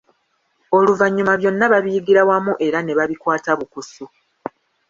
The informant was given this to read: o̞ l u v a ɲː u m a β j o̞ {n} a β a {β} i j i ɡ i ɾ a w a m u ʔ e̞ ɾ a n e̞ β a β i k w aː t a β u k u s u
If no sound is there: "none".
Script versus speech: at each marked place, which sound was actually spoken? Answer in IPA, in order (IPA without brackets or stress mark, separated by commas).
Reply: nː, β